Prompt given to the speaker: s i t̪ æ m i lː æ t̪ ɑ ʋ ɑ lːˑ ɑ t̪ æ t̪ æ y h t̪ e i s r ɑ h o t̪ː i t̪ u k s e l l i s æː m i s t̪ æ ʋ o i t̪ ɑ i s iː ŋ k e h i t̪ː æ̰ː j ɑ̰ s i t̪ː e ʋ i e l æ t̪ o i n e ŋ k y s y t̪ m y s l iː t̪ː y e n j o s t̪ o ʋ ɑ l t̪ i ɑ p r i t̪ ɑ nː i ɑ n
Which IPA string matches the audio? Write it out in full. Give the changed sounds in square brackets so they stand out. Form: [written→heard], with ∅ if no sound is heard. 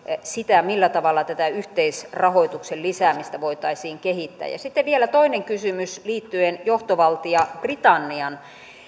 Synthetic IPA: s i t̪ æ m i lː æ t̪ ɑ ʋ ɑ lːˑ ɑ t̪ æ t̪ æ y h t̪ e i s r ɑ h o [t̪ː→∅] i t̪ u k s e l l i s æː m i s t̪ æ ʋ o i t̪ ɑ i s iː ŋ k e h i t̪ː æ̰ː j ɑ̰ s i t̪ː e ʋ i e l æ t̪ o i n e ŋ k y s y [t̪→∅] m y s l iː t̪ː y e n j o [s→h] t̪ o ʋ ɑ l t̪ i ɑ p r i t̪ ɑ nː i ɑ n

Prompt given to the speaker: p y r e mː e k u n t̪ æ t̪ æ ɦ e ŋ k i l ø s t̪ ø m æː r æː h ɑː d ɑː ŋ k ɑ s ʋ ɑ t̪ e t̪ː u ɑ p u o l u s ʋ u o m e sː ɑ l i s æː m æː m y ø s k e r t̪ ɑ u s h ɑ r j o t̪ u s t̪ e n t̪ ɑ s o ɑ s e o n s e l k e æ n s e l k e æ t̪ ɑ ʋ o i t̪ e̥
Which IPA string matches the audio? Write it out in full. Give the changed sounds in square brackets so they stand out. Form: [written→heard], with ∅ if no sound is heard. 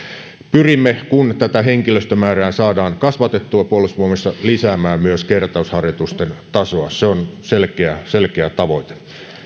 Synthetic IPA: p y r [e→i] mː e k u n t̪ æ t̪ æ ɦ e ŋ k i l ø s t̪ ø m æː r æː [h→s] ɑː d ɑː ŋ k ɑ s ʋ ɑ t̪ e t̪ː u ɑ p u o l u s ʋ u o m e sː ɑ l i s æː m æː m y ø s k e r t̪ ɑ u s h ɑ r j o t̪ u s t̪ e n t̪ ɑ s o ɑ s e o n s e l k e æ [n→∅] s e l k e æ t̪ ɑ ʋ o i t̪ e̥

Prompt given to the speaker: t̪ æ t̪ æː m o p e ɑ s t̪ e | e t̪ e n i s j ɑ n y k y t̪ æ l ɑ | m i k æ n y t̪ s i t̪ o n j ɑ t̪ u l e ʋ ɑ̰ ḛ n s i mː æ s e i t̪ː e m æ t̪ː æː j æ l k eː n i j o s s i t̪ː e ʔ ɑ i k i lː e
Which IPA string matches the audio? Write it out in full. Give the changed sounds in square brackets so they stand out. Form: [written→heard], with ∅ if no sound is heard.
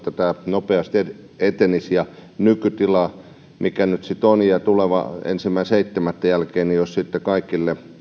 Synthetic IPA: t̪ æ t̪ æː [m→n] o p e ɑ s t̪ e | e t̪ e n i s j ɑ n y k y t̪ [æ→i] l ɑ | m i k æ n y t̪ s i t̪ o n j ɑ t̪ u l e ʋ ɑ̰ ḛ n s i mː æ s e i t̪ː e m æ t̪ː [æː→æ] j æ l k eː n i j o s s i t̪ː e [ʔ→k] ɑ i k i lː e

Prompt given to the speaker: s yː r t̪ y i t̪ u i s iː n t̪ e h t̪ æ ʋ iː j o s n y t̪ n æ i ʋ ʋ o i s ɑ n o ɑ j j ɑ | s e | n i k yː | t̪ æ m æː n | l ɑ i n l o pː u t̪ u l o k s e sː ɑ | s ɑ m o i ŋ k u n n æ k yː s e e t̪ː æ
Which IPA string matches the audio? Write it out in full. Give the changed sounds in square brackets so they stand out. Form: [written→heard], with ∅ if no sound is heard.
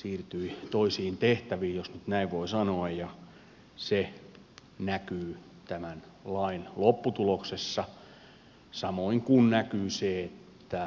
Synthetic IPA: s [yː→iː] r t̪ y i t̪ [u→o] i s iː n t̪ e h t̪ æ ʋ iː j o s n y t̪ n æ i ʋ ʋ o i s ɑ n o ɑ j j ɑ | s e | n [i→æ] k yː | t̪ æ m [æː→æ] n | l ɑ i n l o pː u t̪ u l o k s e sː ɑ | s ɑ m o i ŋ k u n n æ k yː s e e t̪ː æ

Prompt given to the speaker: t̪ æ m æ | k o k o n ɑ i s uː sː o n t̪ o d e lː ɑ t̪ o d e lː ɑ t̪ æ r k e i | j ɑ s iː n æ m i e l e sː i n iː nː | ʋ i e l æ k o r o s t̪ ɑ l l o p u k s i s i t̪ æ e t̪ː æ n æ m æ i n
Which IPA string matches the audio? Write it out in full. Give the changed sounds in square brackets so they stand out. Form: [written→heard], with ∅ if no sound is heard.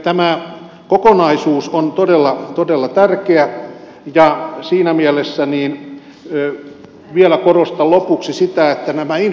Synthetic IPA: t̪ æ m æ | k o k o n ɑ i s uː [sː→s] o n t̪ o d e lː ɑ t̪ o d e lː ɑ t̪ æ r k e [i→æ] | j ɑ s iː n æ m i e l e sː [i→æ] n iː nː | ʋ i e l æ k o r o s t̪ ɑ l l o p u k s i s i t̪ æ e t̪ː æ n æ m æ i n

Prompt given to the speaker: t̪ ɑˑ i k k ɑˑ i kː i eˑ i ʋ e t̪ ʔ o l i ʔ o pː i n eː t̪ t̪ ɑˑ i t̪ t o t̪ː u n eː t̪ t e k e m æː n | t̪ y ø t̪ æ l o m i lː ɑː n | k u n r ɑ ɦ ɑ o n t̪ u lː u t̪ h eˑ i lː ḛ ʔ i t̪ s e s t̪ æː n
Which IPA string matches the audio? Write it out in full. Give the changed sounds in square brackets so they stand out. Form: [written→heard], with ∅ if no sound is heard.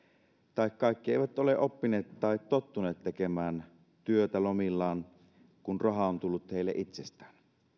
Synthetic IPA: t̪ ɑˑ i k k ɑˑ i kː i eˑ i ʋ [e→æ] t̪ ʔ o l [i→e] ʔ o pː i n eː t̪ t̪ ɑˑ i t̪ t o t̪ː u n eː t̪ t e k e m æː n | t̪ y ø t̪ æ l o m i lː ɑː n | k u n r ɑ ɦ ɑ o n t̪ u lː u t̪ h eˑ i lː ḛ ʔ i t̪ s e s t̪ æː n

